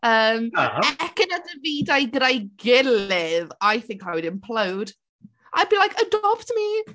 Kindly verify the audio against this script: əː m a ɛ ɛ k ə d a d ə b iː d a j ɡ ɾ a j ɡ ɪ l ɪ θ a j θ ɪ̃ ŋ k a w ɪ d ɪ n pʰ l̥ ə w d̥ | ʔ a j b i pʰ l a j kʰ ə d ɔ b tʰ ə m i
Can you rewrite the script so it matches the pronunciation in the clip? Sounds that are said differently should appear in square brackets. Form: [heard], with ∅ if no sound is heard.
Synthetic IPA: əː m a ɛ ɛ k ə [n] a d ə [v] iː d a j ɡ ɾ a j ɡ ɪ l ɪ [ð] a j θ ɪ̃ ŋ k a w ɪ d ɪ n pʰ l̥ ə w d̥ | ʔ a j b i [∅] l a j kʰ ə d ɔ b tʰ ə m i

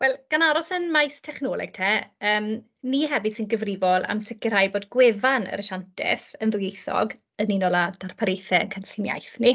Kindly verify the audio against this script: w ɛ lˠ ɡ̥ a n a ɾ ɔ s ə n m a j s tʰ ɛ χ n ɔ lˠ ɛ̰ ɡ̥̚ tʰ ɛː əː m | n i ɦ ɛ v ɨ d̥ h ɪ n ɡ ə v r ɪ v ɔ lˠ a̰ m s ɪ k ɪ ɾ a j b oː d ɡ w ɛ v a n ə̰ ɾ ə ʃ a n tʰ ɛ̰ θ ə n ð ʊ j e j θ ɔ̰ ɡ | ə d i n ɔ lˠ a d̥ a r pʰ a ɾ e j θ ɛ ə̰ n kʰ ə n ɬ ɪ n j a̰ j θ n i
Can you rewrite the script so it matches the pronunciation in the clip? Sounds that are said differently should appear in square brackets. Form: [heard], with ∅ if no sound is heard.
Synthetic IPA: w ɛ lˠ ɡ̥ a n a ɾ ɔ s ə n m a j s tʰ ɛ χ n ɔ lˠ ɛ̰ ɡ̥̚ tʰ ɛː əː m | n i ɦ ɛ v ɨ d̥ [s] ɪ n ɡ ə v r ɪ v ɔ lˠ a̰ m s ɪ k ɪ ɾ a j b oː d ɡ w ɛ v a n ə̰ ɾ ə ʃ a n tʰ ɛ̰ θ ə n ð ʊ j e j θ ɔ̰ ɡ | ə [n] i n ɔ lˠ a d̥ a r pʰ a ɾ e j θ ɛ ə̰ n kʰ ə n ɬ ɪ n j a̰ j θ n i

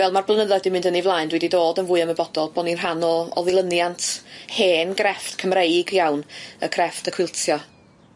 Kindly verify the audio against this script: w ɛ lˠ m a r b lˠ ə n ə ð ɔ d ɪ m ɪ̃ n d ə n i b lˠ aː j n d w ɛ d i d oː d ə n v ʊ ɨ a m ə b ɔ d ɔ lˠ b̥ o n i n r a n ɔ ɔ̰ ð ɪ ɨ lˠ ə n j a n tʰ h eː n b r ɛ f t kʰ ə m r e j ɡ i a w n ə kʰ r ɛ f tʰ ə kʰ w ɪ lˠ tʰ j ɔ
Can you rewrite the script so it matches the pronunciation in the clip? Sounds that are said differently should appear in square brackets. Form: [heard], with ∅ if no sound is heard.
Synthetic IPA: [v] ɛ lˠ m a r b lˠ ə n ə ð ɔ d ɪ m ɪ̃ n d ə n i [v] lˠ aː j n d w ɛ d i d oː d ə n v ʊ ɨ a m ə b ɔ d ɔ lˠ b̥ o n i n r a n ɔ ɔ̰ ð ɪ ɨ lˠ ə n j a n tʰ h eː n [ɡ] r ɛ f t kʰ ə m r e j ɡ [j] a w n ə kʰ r ɛ f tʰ ə kʰ w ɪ lˠ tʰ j ɔ

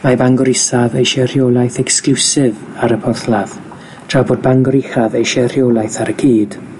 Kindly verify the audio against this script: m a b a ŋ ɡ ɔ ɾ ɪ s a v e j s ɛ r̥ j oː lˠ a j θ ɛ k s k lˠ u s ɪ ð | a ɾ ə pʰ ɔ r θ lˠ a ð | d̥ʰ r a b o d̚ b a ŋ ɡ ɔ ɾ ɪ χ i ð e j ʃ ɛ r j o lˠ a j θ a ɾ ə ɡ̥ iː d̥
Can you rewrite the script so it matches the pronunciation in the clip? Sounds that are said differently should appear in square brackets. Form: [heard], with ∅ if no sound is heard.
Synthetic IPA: m a b a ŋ ɡ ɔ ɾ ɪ s a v e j [ʃ] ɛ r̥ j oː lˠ a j θ ɛ k s k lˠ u s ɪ [v] | a ɾ ə pʰ ɔ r θ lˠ a ð | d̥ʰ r a b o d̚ b a ŋ ɡ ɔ ɾ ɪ χ [a] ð e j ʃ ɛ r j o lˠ a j θ a ɾ ə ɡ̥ iː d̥

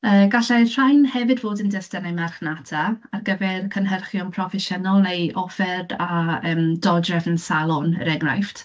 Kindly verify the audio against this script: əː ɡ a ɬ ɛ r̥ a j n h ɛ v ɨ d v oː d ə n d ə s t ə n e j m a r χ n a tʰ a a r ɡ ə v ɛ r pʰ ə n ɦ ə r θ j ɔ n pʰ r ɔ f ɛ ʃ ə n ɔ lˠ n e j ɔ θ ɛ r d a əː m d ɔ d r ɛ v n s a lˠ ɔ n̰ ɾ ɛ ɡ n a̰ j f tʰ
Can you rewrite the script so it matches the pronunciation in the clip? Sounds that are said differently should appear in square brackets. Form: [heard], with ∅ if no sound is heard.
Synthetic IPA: əː ɡ a ɬ ɛ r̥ a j n h ɛ v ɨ d v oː d ə n d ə s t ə n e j m a r χ n a tʰ a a r ɡ ə v ɛ r [kʰ] ə n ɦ ə r [χ] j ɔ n pʰ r ɔ f ɛ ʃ ə n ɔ lˠ n e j ɔ [f] ɛ r d a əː m d ɔ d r ɛ v n s a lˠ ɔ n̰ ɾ ɛ ɡ n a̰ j f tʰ

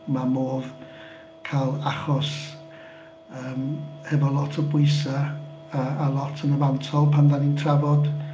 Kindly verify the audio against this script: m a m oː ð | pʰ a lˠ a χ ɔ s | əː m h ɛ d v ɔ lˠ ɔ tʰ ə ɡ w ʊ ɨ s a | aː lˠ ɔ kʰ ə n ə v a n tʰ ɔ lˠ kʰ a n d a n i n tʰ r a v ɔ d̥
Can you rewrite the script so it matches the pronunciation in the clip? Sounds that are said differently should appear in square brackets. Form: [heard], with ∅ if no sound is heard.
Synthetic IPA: m a m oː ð | [kʰ] a lˠ a χ ɔ s | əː m h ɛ [∅] v ɔ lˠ ɔ tʰ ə [b] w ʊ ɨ s a | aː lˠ ɔ [tʰ] ə n ə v a n tʰ ɔ lˠ [pʰ] a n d a n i n tʰ r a v ɔ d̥

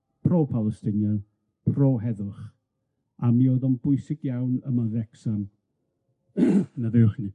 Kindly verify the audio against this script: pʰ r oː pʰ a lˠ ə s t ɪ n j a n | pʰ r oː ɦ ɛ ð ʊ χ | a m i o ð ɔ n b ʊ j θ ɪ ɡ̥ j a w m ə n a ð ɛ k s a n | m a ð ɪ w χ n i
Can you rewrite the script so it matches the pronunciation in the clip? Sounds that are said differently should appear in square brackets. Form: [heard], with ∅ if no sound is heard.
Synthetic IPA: pʰ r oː pʰ a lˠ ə s t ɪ n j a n | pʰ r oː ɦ ɛ ð ʊ χ | a m i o ð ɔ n b ʊ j [s] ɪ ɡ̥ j a w [n] ə [m] a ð ɛ k s a n | [n] a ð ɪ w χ n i

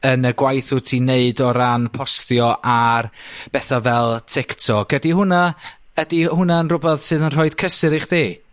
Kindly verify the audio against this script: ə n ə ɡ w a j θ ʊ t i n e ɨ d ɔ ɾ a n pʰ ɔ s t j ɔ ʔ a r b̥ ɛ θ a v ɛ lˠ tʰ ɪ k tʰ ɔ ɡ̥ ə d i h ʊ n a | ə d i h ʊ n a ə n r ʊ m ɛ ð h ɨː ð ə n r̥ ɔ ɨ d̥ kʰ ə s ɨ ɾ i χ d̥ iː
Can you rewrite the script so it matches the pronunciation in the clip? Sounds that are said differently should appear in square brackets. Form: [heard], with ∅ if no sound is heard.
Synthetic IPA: ə n ə ɡ w a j θ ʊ [tʰ] i n e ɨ d ɔ ɾ a n pʰ ɔ s t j ɔ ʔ a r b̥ ɛ θ a v ɛ lˠ tʰ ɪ k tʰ ɔ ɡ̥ ə d i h ʊ n a | ə d i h ʊ n a ə n r ʊ [b] ɛ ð [s] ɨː ð ə n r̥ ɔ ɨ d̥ kʰ ə s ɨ ɾ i χ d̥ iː

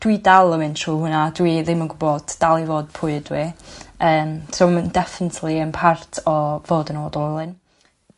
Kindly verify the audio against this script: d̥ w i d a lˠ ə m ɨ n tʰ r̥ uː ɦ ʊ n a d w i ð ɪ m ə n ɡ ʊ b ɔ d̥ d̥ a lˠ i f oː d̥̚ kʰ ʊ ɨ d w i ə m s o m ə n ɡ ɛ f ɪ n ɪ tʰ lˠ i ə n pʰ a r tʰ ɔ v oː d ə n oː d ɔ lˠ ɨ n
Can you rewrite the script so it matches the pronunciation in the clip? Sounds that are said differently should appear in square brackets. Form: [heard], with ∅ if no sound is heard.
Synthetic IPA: d̥ w i d a lˠ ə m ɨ n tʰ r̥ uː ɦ ʊ n a d w i ð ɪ m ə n ɡ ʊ b ɔ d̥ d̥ a lˠ i [v] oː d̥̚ [pʰ] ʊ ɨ d w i [əː] m s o m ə n [d] ɛ f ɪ n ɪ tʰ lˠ i ə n pʰ a r tʰ ɔ v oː d ə n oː d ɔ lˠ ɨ n

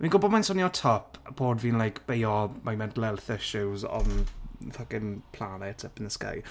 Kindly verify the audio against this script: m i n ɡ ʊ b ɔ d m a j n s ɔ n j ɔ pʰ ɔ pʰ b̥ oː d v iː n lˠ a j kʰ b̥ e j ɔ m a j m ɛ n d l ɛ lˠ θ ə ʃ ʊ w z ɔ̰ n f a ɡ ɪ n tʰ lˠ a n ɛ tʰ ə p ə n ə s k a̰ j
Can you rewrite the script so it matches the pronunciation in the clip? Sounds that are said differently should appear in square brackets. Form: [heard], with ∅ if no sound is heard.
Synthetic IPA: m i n ɡ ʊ b ɔ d m a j n s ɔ n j ɔ [tʰ] ɔ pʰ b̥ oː d v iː n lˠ a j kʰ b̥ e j ɔ m a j m ɛ n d l ɛ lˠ θ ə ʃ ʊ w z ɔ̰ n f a ɡ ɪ n [pʰ] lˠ a n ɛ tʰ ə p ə n ə s k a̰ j

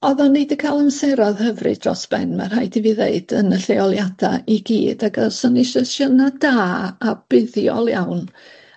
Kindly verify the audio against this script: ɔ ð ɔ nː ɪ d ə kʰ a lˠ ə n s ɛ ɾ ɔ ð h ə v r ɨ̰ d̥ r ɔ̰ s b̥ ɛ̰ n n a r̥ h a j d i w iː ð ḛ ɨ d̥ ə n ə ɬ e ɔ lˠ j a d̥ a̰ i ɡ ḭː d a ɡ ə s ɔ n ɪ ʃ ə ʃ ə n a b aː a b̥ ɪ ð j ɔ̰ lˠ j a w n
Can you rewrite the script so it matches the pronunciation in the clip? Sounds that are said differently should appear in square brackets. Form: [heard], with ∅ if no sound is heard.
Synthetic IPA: ɔ ð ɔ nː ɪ d ə kʰ a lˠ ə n s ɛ ɾ ɔ ð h ə v r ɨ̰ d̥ r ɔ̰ s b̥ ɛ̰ n [m] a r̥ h a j d i [v] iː ð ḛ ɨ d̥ ə n ə ɬ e ɔ lˠ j a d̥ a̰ i ɡ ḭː d a ɡ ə s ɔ n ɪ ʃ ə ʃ ə n a [d] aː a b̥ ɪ ð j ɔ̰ lˠ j a w n

